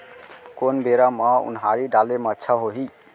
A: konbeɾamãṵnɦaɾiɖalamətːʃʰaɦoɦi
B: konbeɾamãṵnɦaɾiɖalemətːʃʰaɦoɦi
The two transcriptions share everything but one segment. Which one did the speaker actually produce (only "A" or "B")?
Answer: B